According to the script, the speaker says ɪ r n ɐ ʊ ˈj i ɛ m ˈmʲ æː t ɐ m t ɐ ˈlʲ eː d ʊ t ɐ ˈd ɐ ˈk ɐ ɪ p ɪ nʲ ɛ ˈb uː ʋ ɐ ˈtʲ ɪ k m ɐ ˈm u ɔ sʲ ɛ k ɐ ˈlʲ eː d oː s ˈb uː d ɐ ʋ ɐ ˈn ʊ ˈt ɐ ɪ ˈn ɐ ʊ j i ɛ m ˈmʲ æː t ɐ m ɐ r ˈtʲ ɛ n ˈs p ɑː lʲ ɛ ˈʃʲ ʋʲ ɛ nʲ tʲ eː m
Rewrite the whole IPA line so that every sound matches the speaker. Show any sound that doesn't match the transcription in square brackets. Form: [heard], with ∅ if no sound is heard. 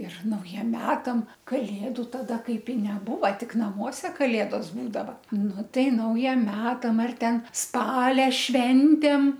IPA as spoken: ɪ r n ɐ ʊ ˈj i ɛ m ˈmʲ æː t ɐ m [k] ɐ ˈlʲ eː d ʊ t ɐ ˈd ɐ ˈk ɐ ɪ p ɪ nʲ ɛ ˈb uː ʋ ɐ ˈtʲ ɪ k [n] ɐ ˈm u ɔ sʲ ɛ k ɐ ˈlʲ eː d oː s ˈb uː d ɐ ʋ ɐ ˈn ʊ ˈt ɐ ɪ ˈn ɐ ʊ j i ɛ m ˈmʲ æː t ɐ m ɐ r ˈtʲ ɛ n ˈs p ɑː lʲ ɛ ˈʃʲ ʋʲ ɛ nʲ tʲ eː m